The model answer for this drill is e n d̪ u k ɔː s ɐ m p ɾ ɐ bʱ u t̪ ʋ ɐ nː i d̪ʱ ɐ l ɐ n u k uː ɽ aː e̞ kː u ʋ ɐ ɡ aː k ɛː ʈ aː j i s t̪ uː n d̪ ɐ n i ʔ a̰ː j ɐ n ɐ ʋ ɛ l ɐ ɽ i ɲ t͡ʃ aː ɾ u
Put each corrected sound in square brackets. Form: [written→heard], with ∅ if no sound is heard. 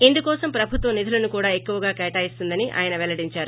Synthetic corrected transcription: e n d̪ u k ɔː s ɐ m p ɾ ɐ bʱ u t̪ ʋ ɐ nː i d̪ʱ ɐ l ɐ n u k uː ɽ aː e̞ kː u ʋ ɐ ɡ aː k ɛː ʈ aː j i s t̪ [uː→u] n d̪ ɐ n i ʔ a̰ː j ɐ n ɐ ʋ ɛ l ɐ ɽ i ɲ t͡ʃ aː ɾ u